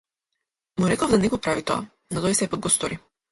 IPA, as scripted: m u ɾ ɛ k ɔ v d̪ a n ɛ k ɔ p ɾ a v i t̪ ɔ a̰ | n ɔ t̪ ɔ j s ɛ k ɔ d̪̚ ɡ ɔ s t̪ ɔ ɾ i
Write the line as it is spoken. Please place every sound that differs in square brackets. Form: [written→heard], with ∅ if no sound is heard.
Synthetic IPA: m u ɾ ɛ k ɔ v d̪ a n ɛ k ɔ p ɾ a v i t̪ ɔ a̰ | n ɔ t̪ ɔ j s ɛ [k→p] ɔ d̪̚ ɡ ɔ s t̪ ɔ ɾ i